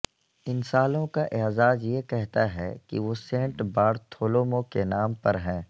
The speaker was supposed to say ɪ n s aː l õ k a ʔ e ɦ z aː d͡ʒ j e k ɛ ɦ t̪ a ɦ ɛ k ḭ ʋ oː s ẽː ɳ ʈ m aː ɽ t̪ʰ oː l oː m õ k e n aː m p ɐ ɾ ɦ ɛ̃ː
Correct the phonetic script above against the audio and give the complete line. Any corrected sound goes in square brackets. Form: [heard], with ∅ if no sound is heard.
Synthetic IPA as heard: ɪ n s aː l õ k a ʔ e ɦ z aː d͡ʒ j e k ɛ ɦ t̪ a ɦ ɛ k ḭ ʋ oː s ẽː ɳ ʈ [b] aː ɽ t̪ʰ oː l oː m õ k e n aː m p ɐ ɾ ɦ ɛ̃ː